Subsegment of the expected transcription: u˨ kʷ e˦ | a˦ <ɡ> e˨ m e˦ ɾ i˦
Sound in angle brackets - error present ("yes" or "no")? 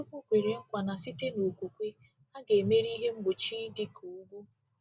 no